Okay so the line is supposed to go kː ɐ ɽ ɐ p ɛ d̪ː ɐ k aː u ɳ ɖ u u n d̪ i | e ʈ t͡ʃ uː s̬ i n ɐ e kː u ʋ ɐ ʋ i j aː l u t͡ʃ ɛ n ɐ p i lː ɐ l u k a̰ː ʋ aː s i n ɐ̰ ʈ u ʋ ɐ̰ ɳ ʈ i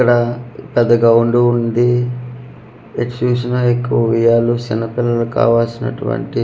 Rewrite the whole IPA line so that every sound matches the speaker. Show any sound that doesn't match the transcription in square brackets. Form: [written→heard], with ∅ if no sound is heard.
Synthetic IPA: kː ɐ ɽ ɐ p ɛ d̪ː ɐ [k→ɡ] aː u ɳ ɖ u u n d̪ i | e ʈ t͡ʃ uː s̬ i n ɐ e kː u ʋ ɐ ʋ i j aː l u t͡ʃ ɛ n ɐ p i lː ɐ l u k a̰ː ʋ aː s i n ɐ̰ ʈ u ʋ ɐ̰ ɳ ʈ i

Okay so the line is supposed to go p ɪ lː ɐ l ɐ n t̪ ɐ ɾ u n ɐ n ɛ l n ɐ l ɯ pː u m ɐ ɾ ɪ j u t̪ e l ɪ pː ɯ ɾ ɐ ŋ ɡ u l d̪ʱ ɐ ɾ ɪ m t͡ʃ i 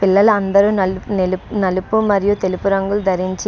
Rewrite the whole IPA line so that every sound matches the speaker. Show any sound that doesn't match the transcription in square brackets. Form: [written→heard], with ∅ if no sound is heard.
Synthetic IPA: p ɪ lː ɐ l ɐ n [t̪→d̪] ɐ ɾ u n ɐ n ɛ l n ɐ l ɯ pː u m ɐ ɾ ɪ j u t̪ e l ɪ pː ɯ ɾ ɐ ŋ ɡ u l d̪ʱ ɐ ɾ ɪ [m→ɲ] t͡ʃ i

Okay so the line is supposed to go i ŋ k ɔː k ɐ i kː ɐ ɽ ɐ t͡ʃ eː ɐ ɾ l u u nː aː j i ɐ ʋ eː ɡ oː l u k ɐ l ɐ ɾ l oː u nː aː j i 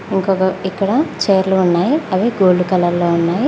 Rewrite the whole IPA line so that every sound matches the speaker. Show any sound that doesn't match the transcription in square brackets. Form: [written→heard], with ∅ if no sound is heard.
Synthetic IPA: i ŋ k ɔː k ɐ i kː ɐ ɽ ɐ t͡ʃ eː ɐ ɾ l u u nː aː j i ɐ ʋ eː ɡ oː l u k ɐ l ɐ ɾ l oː u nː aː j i

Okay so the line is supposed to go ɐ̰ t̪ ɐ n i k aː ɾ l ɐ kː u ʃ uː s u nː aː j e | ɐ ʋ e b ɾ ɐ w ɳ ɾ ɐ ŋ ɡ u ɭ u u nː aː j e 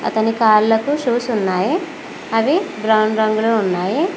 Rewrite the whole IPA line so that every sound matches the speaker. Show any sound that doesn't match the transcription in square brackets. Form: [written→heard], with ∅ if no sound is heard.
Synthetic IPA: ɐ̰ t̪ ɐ n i k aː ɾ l ɐ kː u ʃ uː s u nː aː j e | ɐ ʋ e b ɾ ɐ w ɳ ɾ ɐ ŋ ɡ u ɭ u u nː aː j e

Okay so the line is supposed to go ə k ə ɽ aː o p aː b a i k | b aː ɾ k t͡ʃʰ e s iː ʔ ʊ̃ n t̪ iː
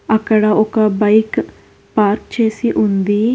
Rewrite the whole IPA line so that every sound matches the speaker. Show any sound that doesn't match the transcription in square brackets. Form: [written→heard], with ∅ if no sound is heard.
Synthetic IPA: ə k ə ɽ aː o [p→k] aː b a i k | [b→p] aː ɾ k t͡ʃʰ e s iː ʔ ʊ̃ n [t̪→d̪] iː

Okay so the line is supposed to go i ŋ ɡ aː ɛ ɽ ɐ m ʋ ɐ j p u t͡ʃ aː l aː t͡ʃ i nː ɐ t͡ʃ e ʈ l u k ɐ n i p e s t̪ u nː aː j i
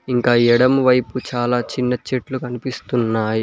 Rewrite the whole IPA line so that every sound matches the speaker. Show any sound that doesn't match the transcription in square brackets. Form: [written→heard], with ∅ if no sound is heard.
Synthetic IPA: i ŋ [ɡ→k] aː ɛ ɽ ɐ m ʋ ɐ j p u t͡ʃ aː l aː t͡ʃ i nː ɐ t͡ʃ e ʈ l u k ɐ n i p [e→i] s t̪ u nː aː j i

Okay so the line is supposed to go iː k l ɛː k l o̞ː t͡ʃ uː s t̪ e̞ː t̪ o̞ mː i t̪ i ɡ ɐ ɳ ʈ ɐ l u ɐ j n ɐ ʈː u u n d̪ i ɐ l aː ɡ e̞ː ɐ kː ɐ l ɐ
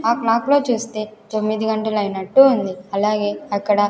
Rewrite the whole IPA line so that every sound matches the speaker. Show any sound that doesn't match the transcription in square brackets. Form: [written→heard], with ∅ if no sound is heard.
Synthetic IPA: [iː→aː] k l [ɛː→aː] k l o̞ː t͡ʃ uː s t̪ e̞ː t̪ o̞ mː i [t̪→d̪] i ɡ ɐ ɳ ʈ ɐ l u ɐ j n ɐ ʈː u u n d̪ i ɐ l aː ɡ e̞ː ɐ kː ɐ [l→ɽ] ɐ

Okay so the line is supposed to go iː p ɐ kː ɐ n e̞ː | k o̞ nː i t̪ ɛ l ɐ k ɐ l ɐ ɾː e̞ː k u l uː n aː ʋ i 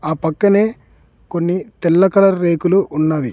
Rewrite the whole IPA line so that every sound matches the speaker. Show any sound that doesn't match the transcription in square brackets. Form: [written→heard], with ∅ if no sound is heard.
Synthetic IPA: [iː→aː] p ɐ kː ɐ n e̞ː | k o̞ nː i t̪ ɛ [l→lː] ɐ k ɐ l ɐ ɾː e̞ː k u l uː [n→nː] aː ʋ i

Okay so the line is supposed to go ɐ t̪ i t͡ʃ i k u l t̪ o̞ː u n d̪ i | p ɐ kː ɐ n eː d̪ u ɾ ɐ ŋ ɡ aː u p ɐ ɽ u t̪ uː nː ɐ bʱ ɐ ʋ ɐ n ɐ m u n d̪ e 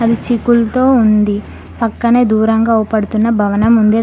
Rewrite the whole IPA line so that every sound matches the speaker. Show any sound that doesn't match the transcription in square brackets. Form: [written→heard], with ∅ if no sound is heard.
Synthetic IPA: ɐ [t̪→d̪] i t͡ʃ i k u l t̪ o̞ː u n d̪ i | p ɐ kː ɐ n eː d̪ [u→uː] ɾ ɐ ŋ ɡ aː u p ɐ ɽ u t̪ [uː→u] nː ɐ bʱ ɐ ʋ ɐ n ɐ m u n d̪ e

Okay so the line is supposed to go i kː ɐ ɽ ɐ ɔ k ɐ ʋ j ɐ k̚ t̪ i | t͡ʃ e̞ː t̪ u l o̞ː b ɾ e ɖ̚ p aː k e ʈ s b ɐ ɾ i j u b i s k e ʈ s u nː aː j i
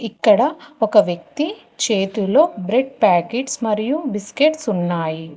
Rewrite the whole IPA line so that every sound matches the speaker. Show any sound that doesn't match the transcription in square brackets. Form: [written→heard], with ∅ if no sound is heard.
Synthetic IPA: i kː ɐ ɽ ɐ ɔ k ɐ ʋ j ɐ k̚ t̪ i | t͡ʃ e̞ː t̪ u l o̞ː b ɾ e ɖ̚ p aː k e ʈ s [b→m] ɐ ɾ i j u b i s k e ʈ s u nː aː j i

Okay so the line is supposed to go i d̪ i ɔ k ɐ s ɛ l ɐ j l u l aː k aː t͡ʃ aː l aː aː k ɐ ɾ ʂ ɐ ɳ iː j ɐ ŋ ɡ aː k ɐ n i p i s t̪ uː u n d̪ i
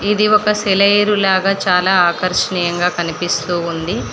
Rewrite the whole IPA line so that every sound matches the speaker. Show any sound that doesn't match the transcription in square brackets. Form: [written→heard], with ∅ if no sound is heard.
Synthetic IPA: i d̪ i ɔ k ɐ s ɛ l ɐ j [l→ɾ] u l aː [k→ɡ] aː t͡ʃ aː l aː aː k ɐ ɾ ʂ ɐ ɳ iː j ɐ ŋ ɡ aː k ɐ n i p i s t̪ uː u n d̪ i

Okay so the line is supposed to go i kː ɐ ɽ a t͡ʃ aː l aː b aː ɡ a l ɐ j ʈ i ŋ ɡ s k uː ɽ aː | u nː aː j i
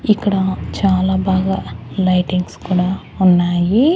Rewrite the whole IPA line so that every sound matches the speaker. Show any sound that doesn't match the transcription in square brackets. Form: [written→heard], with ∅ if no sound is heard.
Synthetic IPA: i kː ɐ ɽ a t͡ʃ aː l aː b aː ɡ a l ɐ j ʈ i ŋ ɡ s k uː ɽ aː | u nː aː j i

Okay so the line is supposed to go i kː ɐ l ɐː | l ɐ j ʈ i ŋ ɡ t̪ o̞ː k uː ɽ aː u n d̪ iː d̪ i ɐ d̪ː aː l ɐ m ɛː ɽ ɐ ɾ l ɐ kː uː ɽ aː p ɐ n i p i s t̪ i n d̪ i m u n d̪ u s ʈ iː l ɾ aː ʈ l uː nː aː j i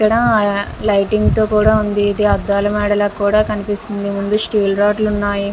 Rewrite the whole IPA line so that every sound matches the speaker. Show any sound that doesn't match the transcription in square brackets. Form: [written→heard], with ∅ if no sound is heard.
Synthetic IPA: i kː ɐ [l→ɽ] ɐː | l ɐ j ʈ i ŋ ɡ t̪ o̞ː k uː ɽ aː u n d̪ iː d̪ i ɐ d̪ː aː l ɐ m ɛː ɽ ɐ [ɾ→∅] l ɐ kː uː ɽ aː [p→k] ɐ n i p i s t̪ i n d̪ i m u n d̪ u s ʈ iː l ɾ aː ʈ l [uː→u] nː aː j i

